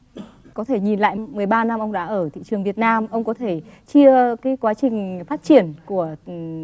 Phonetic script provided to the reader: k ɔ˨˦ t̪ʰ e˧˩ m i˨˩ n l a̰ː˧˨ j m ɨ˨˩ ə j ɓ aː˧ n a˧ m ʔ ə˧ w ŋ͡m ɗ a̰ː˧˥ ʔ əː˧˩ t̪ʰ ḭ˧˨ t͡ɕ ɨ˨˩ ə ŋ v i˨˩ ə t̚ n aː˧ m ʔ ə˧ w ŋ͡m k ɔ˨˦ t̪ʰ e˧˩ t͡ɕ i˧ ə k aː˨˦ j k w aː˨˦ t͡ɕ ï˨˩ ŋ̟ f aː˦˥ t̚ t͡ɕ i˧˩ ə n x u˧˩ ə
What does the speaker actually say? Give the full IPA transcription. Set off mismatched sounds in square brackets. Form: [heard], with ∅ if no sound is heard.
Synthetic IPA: k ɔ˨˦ t̪ʰ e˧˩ [ɲ] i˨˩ n l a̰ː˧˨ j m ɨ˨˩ ə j ɓ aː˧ n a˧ m ʔ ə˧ w ŋ͡m ɗ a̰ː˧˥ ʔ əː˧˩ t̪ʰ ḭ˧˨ t͡ɕ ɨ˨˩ ə ŋ v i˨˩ ə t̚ n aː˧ m ʔ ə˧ w ŋ͡m k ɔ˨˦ t̪ʰ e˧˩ t͡ɕ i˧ ə k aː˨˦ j k w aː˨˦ t͡ɕ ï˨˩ ŋ̟ f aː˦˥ t̚ t͡ɕ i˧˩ ə n [k] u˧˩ ə